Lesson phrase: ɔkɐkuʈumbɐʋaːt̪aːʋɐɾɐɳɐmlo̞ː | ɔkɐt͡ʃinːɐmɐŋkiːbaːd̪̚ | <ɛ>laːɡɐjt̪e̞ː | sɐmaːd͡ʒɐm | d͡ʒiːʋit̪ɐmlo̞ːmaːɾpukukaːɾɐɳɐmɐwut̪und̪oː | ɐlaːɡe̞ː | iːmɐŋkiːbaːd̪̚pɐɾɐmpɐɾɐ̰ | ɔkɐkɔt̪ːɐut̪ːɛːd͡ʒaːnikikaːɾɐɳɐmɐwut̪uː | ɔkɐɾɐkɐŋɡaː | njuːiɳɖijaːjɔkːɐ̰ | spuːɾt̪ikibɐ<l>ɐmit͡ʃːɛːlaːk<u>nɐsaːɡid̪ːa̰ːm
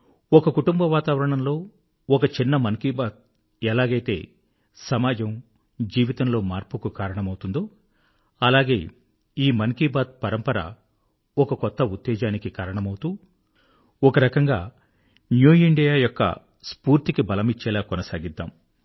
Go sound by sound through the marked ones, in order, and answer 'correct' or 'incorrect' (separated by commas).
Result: correct, correct, incorrect